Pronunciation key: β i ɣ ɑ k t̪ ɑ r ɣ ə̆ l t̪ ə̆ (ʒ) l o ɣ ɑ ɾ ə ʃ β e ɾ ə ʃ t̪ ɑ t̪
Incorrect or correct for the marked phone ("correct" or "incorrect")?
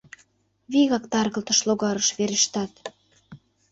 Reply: incorrect